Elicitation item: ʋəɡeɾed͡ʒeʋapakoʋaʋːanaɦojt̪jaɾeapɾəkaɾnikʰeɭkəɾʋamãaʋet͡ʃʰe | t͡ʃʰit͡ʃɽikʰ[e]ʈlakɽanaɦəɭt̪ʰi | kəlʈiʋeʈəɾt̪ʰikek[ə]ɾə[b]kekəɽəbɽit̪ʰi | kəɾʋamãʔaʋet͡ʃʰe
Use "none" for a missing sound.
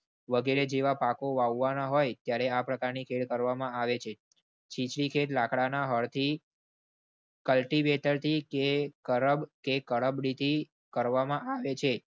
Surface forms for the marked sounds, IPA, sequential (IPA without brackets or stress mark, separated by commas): e, ə, b